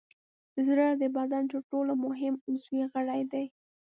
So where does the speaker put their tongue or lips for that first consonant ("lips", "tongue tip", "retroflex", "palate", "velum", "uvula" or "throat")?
tongue tip